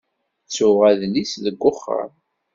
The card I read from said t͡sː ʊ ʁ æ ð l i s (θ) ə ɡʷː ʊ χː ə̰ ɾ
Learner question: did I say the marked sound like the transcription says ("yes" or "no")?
no